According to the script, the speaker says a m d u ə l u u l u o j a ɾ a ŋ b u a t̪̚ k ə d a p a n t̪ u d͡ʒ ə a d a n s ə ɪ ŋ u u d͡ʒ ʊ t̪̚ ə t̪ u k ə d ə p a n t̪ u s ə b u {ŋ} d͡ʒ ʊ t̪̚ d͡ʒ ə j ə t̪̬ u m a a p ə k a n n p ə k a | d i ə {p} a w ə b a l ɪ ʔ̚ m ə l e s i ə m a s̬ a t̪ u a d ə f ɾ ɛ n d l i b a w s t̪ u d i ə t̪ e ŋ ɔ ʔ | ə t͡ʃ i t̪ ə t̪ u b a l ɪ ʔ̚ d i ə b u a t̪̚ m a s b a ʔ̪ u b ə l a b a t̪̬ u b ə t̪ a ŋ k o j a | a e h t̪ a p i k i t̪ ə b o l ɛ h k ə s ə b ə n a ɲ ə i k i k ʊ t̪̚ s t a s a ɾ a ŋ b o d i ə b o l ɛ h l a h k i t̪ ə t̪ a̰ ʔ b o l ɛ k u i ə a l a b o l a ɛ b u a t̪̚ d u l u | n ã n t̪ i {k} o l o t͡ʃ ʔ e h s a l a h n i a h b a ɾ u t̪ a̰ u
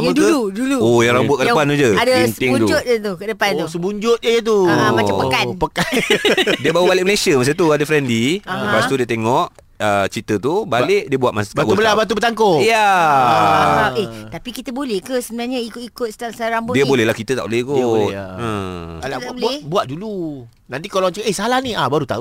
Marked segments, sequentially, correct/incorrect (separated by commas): incorrect, incorrect, correct